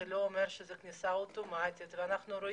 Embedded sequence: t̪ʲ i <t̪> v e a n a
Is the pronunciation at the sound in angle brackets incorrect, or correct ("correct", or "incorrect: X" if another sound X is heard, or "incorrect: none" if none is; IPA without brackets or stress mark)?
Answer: correct